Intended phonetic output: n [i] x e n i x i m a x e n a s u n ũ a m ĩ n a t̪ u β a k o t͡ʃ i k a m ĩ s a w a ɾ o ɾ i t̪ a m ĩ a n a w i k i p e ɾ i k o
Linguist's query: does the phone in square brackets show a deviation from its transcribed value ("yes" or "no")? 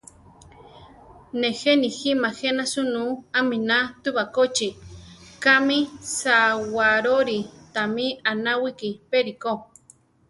yes